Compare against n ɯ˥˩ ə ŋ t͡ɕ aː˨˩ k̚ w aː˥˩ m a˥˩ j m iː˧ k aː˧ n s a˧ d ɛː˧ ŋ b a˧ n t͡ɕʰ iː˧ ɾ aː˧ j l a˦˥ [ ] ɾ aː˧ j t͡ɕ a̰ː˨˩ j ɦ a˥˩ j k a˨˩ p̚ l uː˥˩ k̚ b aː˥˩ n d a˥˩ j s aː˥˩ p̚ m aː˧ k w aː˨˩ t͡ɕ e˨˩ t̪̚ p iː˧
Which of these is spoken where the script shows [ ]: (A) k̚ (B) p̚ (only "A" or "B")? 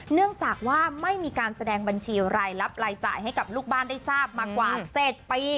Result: B